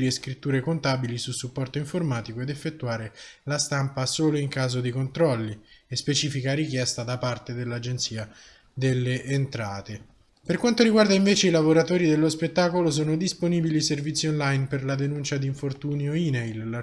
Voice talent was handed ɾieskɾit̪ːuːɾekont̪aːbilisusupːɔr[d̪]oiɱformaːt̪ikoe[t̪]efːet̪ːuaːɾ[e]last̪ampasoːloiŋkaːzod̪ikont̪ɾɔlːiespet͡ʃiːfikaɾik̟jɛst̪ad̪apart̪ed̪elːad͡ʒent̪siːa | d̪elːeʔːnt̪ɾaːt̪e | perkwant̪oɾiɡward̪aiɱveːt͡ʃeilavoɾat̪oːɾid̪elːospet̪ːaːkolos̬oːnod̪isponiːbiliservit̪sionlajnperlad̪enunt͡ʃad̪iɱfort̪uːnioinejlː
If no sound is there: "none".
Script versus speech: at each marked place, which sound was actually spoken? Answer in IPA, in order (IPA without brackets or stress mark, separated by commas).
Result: t̪, d̪, e